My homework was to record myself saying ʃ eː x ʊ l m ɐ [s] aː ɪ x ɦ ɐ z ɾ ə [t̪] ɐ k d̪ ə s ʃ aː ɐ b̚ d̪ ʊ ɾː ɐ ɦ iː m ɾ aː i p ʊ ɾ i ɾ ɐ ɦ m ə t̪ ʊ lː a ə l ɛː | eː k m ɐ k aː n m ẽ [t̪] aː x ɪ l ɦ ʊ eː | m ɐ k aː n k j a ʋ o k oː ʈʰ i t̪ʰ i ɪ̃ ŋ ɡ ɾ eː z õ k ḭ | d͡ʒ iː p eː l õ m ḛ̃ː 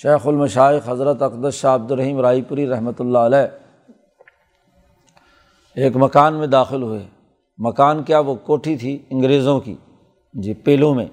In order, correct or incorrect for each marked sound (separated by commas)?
incorrect, correct, incorrect